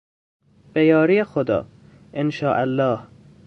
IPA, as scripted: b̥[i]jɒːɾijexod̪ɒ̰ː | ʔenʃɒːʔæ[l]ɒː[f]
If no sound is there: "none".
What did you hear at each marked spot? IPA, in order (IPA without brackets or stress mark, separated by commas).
e, lː, h